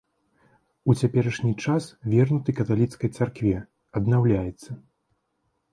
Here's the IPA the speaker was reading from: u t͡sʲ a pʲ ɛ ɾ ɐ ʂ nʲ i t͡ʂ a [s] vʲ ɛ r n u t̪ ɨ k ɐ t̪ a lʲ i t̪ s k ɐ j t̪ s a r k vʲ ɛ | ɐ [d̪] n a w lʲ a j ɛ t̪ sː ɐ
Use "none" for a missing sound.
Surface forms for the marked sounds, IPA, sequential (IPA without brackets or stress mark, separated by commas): s, d̪